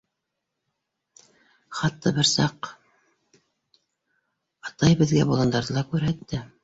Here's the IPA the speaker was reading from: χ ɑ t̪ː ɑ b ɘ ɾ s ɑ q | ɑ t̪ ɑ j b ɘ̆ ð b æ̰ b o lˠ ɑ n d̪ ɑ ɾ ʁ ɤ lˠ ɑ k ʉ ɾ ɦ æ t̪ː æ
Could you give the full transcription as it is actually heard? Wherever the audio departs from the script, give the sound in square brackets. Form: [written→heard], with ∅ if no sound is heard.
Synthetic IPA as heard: χ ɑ t̪ː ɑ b ɘ ɾ s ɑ q | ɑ t̪ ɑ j b ɘ̆ ð [b→ɡ] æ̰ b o lˠ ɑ n d̪ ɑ ɾ [ʁ→ð] ɤ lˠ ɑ k ʉ ɾ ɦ æ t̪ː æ